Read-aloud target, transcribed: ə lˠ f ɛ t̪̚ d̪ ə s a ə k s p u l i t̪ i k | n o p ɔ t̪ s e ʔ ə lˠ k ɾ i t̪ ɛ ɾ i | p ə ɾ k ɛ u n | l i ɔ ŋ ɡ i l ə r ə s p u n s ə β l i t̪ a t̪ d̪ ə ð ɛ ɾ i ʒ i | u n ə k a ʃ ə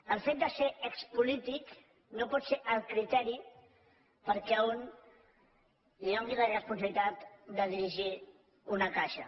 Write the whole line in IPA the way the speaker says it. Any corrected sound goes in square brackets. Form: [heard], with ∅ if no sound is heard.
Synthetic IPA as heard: ə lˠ f [e] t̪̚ d̪ ə s [e] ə k s p u l i t̪ i k | n o p ɔ t̪ s e ʔ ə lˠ k ɾ i t̪ ɛ ɾ i | p ə ɾ k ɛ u n | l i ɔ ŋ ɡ i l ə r ə s p u n s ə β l i t̪ a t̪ d̪ ə ð [i] ɾ i ʒ i | u n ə k a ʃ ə